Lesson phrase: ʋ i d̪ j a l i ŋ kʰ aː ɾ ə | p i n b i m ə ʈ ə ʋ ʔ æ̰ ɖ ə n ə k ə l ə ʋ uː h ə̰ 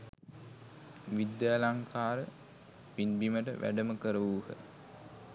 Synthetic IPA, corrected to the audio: ʋ i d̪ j a l a ŋ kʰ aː ɾ ə | p i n b i m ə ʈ ə ʋ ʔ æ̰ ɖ ə m ə k ə ɾ ə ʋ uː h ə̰